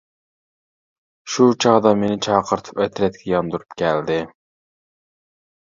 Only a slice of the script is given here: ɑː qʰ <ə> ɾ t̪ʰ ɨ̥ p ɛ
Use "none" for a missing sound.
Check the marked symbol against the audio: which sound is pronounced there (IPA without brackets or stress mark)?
ə